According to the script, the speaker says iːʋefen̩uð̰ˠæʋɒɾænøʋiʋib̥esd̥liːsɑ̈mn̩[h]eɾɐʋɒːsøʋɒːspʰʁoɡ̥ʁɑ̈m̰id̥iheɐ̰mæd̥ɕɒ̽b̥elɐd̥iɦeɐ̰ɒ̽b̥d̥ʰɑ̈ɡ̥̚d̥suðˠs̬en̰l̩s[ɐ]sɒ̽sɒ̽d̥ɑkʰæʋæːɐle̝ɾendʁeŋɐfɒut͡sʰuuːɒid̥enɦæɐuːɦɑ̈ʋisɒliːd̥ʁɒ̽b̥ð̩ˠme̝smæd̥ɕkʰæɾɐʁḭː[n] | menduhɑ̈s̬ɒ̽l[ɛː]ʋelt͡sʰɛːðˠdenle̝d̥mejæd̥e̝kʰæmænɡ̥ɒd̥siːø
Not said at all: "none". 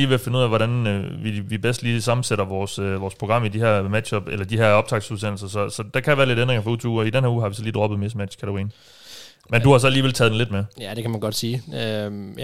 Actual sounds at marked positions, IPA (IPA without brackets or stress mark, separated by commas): s, ɐ, n, iː